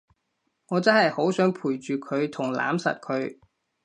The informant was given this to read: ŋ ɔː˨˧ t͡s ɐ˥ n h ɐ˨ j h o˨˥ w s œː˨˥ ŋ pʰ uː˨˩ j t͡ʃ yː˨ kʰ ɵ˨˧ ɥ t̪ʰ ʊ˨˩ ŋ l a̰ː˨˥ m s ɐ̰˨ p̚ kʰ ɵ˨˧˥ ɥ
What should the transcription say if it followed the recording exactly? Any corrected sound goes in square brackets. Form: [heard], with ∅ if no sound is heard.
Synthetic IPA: ŋ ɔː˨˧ t͡s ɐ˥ n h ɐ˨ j h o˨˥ w s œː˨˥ ŋ pʰ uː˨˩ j t͡ʃ yː˨ kʰ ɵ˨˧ ɥ t̪ʰ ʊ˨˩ ŋ l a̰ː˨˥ m s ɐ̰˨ [t̚] kʰ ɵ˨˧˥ ɥ

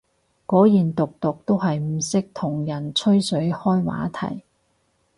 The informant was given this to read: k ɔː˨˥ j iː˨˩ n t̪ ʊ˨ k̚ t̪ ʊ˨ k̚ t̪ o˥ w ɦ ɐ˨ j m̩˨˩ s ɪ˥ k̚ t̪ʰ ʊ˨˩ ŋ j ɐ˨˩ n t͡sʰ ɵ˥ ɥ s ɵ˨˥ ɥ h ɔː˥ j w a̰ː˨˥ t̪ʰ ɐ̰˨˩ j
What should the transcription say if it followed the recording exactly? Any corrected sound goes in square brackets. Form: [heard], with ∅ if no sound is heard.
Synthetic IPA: k ɔː˨˥ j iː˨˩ n t̪ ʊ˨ k̚ t̪ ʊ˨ k̚ t̪ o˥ w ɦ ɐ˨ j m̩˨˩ s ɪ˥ k̚ t̪ʰ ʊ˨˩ ŋ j ɐ˨˩ n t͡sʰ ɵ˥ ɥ s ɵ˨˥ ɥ h ɔː˥ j w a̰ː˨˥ t̪ʰ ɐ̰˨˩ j

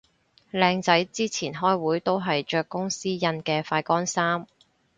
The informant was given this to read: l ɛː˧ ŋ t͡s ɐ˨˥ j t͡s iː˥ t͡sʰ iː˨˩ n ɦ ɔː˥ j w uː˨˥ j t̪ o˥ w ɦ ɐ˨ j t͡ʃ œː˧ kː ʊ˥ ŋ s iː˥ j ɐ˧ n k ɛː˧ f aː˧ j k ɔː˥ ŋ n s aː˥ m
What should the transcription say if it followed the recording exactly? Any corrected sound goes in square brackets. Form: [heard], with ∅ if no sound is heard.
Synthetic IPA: l ɛː˧ ŋ t͡s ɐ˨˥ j t͡s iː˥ t͡sʰ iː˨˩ n ɦ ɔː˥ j w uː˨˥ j t̪ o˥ w ɦ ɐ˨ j t͡ʃ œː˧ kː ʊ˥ ŋ s iː˥ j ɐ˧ n k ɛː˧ f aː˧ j k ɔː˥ [∅] n s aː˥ m

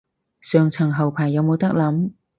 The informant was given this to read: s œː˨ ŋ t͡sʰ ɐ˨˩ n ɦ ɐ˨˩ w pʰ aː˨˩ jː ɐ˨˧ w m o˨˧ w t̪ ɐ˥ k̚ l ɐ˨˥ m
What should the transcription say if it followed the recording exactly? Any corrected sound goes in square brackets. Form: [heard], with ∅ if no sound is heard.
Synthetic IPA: s œː˨ ŋ t͡sʰ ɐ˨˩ [ŋ] ɦ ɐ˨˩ w pʰ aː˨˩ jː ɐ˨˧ w m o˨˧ w t̪ ɐ˥ k̚ l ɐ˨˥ m

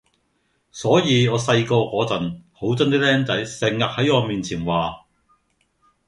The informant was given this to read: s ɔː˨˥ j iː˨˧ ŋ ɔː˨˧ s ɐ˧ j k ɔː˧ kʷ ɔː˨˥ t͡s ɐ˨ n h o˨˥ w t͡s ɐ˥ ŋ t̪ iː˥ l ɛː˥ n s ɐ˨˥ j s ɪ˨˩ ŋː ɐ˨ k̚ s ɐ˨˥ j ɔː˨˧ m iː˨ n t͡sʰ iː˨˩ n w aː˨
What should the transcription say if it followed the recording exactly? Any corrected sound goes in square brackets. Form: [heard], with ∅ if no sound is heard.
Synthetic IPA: s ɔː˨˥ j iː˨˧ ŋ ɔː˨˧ s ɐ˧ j k ɔː˧ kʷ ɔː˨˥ t͡s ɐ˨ n h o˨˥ w t͡s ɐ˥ [n] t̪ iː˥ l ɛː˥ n [t͡s] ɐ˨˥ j s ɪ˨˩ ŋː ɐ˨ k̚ [h] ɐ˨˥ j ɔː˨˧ m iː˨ n t͡sʰ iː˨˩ n w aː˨

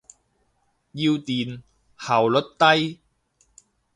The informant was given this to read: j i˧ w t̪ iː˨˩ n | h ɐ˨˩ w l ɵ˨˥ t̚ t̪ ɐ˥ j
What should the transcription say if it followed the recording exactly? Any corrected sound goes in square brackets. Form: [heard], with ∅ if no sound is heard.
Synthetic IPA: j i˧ w t̪ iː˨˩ n | h ɐ˨˩ w l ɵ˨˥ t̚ t̪ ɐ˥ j

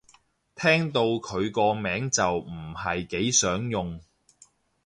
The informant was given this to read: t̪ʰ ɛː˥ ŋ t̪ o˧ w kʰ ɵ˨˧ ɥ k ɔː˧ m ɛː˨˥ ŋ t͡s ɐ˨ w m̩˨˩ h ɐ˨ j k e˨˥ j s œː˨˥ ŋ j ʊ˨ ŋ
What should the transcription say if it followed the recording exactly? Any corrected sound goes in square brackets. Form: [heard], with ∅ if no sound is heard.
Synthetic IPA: t̪ʰ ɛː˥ ŋ t̪ o˧ w kʰ ɵ˨˧ ɥ k ɔː˧ m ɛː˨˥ ŋ t͡s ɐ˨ w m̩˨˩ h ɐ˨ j k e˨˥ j s œː˨˥ ŋ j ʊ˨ ŋ

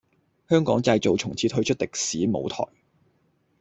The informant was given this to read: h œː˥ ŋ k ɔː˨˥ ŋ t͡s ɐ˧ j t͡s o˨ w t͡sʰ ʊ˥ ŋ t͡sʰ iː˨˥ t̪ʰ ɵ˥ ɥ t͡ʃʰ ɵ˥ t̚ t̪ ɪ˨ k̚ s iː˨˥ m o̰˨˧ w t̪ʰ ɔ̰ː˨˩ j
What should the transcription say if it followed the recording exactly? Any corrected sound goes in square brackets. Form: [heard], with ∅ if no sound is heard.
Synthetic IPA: h œː˥ ŋ k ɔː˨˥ ŋ t͡s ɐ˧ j t͡s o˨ w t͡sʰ [ʊ˨˩] ŋ t͡sʰ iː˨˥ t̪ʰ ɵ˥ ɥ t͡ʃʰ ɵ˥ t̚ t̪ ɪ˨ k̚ s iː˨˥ m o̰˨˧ w t̪ʰ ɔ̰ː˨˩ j

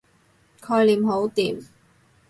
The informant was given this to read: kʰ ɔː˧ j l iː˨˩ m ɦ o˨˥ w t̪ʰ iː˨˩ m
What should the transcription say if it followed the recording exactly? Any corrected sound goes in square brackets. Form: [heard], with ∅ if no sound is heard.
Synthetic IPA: kʰ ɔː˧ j l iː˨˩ m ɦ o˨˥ w [t̪] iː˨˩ m

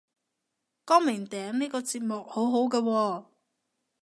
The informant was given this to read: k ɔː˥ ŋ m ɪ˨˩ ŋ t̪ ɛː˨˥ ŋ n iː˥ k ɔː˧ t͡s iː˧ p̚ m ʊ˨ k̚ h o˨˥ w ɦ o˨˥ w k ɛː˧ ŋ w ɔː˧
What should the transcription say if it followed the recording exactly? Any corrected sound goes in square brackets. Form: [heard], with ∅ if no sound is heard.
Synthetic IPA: k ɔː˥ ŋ m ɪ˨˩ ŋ t̪ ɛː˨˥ ŋ n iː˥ k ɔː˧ t͡s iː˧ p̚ m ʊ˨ k̚ h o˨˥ w ɦ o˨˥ w k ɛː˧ [∅] w ɔː˧

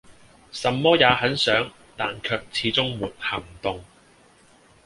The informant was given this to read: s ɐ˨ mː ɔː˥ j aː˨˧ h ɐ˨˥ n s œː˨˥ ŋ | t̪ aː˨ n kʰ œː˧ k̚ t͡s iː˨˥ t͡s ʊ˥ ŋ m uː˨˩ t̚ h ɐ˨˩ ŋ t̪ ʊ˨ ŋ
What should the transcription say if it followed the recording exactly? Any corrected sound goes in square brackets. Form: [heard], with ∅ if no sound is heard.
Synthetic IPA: s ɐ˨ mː ɔː˥ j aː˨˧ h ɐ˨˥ n s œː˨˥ ŋ | t̪ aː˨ n kʰ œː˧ k̚ [t͡sʰ] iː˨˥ t͡s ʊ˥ ŋ m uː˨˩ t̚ h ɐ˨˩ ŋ t̪ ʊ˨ ŋ

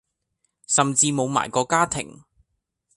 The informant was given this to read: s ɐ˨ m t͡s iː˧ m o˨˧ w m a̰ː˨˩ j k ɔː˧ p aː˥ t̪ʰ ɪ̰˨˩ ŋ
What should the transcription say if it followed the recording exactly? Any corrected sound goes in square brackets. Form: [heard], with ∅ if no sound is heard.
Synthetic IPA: s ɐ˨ m t͡s iː˧ m o˨˧ w m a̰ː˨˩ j k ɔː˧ [k] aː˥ t̪ʰ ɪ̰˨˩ ŋ

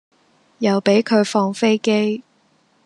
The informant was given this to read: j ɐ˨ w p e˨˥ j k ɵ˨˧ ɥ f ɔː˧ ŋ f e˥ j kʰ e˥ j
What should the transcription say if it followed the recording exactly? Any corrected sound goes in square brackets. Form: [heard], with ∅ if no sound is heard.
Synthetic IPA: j ɐ˨ w p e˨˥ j [kʰ] ɵ˨˧ ɥ f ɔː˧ ŋ f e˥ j [k] e˥ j

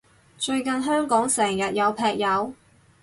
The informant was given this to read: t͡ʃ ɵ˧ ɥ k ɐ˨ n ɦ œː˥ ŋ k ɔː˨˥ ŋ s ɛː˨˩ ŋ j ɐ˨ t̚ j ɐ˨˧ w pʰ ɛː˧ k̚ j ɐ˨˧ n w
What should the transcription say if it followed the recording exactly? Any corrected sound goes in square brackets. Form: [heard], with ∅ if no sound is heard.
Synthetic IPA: t͡ʃ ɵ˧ ɥ k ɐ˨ n ɦ œː˥ ŋ k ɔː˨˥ ŋ s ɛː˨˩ ŋ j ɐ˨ t̚ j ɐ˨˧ w pʰ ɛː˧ k̚ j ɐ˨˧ [∅] w

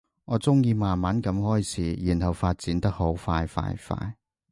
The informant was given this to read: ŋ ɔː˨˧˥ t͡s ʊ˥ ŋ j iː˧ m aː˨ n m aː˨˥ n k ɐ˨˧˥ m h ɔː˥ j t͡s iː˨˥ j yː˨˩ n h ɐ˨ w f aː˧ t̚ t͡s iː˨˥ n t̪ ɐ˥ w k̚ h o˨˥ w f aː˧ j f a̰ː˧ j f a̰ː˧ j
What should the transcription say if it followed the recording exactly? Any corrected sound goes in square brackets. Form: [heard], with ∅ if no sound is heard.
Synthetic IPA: ŋ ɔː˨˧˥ t͡s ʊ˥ ŋ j iː˧ m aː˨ n m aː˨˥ n k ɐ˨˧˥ m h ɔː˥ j [t͡sʰ] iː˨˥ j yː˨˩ n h ɐ˨ w f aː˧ t̚ t͡s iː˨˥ n t̪ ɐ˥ [∅] k̚ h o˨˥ w f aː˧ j f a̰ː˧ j f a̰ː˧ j

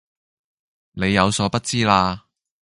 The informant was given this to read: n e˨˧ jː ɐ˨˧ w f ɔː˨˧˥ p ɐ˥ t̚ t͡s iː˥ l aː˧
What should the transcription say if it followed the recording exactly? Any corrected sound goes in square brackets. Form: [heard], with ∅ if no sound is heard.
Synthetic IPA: n e˨˧ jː ɐ˨˧ w [s] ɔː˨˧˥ p ɐ˥ t̚ t͡s iː˥ l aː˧

